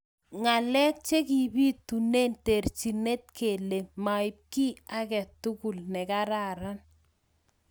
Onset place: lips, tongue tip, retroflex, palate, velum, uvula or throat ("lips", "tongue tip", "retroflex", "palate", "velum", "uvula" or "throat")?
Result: velum